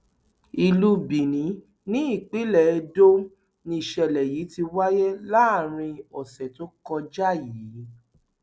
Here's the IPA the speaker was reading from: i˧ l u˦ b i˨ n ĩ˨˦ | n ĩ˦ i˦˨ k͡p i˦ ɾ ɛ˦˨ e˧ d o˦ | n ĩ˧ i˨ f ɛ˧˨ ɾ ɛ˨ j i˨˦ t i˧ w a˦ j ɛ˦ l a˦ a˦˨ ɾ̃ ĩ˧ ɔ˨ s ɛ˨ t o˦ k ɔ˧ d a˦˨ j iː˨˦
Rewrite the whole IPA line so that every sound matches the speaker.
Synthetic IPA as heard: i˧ l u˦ b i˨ n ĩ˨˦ | n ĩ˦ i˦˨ k͡p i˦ l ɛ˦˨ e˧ d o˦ | n ĩ˧ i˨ ʃ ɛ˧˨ l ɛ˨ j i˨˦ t i˧ w a˦ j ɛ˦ l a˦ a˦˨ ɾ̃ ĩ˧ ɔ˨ s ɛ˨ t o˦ k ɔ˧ d͡ʒ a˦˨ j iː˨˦